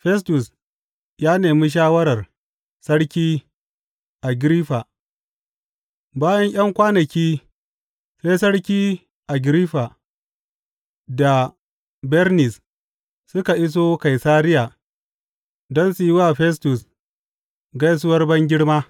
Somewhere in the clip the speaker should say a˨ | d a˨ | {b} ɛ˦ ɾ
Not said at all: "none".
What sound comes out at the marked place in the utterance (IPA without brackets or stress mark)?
b